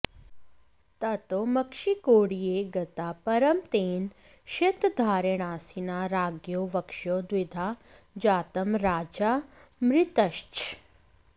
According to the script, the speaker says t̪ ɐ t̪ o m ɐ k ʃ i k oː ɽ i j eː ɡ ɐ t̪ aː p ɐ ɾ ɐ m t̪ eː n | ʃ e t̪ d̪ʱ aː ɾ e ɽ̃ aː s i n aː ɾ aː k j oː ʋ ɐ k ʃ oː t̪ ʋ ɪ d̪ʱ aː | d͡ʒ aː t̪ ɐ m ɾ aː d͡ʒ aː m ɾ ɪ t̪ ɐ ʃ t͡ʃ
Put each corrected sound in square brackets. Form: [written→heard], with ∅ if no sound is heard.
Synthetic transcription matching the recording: t̪ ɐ t̪ o m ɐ k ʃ i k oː ɽ i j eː ɡ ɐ t̪ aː p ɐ ɾ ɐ m t̪ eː n | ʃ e t̪ d̪ʱ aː ɾ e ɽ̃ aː s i n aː ɾ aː [k→ɡ] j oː ʋ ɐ k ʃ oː [t̪→d̪] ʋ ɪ d̪ʱ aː | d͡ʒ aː t̪ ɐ m ɾ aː d͡ʒ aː m ɾ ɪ t̪ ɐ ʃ t͡ʃ